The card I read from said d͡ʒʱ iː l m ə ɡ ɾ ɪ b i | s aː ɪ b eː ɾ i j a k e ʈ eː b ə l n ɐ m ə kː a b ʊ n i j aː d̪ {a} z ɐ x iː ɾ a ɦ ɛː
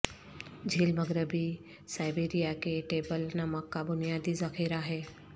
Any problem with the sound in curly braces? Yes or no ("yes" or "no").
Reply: yes